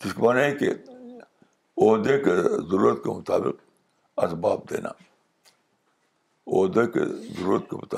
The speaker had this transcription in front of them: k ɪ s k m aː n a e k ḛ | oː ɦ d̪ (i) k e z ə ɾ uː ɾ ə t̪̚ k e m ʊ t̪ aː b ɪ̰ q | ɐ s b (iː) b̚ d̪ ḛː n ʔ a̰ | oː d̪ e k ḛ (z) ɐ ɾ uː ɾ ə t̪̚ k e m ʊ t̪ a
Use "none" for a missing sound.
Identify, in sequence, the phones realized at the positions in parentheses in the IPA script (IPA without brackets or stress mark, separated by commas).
e, aː, z